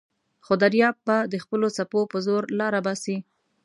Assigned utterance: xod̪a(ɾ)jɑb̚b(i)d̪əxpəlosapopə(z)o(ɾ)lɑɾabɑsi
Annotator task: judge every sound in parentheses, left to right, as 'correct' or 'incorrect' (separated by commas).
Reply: correct, incorrect, correct, correct